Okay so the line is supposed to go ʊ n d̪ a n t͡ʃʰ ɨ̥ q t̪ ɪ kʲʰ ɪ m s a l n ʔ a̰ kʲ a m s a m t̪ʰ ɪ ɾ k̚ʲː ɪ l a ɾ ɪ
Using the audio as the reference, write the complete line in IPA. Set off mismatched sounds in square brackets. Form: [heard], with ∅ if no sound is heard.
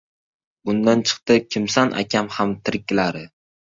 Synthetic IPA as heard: ʊ n d̪ a n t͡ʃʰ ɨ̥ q t̪ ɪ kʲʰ ɪ m s a [∅] n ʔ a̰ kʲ a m [h] a m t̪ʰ ɪ ɾ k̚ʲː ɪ l a ɾ ɪ